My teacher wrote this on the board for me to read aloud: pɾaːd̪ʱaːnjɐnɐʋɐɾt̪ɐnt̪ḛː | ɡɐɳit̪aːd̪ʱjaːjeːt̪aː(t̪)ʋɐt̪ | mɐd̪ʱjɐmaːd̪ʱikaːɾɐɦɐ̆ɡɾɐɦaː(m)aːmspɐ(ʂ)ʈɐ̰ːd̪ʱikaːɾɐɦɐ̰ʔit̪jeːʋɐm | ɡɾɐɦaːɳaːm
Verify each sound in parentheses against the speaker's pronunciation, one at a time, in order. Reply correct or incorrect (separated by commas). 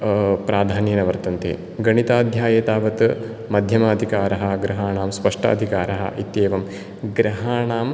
incorrect, incorrect, correct